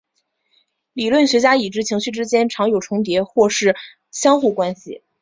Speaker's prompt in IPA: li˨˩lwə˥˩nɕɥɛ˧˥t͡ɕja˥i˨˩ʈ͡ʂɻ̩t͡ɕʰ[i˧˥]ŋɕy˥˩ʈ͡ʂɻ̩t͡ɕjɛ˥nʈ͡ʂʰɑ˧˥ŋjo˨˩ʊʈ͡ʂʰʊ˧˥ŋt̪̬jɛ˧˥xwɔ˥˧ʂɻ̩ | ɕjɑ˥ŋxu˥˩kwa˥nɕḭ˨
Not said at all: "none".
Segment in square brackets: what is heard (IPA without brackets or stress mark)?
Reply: i˧˥